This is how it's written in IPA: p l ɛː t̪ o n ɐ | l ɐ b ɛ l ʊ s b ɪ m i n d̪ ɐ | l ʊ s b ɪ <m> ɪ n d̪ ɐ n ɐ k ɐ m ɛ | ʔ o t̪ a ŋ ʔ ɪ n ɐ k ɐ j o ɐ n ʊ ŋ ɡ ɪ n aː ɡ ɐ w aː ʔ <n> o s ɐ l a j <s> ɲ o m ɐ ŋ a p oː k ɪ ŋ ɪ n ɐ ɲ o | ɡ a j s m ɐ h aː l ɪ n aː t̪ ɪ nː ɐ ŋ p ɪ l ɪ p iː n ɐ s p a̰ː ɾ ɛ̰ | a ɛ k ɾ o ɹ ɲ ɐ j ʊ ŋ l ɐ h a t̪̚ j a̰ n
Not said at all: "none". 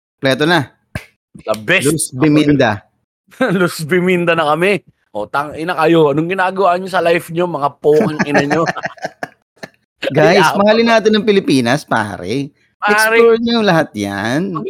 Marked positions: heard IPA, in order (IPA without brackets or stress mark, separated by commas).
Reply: m, ɲ, f